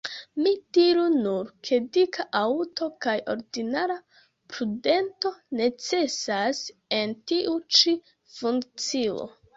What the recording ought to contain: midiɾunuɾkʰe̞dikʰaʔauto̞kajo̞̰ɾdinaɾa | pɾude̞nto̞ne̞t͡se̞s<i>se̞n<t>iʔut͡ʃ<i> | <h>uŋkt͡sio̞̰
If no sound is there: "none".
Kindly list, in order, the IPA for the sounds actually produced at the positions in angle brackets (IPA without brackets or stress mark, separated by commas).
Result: a, t, i, f